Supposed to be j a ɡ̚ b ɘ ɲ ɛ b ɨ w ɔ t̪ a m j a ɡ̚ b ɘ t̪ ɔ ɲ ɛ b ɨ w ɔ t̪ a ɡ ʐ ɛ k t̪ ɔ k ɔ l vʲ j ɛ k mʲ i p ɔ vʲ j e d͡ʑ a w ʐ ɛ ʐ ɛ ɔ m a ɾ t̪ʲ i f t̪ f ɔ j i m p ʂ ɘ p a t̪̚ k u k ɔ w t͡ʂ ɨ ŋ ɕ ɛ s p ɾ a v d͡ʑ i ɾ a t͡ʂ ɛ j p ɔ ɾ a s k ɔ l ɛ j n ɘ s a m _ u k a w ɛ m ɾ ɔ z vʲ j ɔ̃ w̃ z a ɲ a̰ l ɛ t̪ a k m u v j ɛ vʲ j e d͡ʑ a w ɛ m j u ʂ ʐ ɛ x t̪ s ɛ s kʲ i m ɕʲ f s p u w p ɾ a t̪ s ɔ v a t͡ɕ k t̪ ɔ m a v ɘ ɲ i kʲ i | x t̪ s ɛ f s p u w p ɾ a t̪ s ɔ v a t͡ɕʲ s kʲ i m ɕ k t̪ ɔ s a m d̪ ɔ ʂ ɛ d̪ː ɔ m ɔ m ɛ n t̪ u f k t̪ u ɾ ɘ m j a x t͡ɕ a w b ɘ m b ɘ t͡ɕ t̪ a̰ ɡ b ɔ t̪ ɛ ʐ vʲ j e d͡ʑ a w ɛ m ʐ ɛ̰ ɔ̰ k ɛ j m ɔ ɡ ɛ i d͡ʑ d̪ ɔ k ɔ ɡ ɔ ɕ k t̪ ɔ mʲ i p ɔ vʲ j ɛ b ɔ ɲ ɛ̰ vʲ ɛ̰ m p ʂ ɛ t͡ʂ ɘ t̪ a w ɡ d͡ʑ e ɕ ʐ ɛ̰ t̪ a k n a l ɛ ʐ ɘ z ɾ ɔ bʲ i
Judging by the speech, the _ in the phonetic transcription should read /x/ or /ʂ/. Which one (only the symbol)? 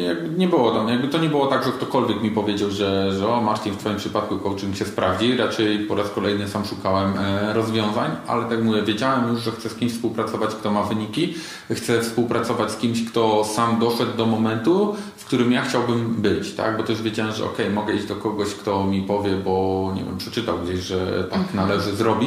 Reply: ʂ